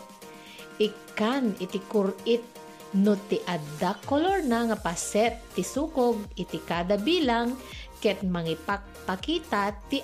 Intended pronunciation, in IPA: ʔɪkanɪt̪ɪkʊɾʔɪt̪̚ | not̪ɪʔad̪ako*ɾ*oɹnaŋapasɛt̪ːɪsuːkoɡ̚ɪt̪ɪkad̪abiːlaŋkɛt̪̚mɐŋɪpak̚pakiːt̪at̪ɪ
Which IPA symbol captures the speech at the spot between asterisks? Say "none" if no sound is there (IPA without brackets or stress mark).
l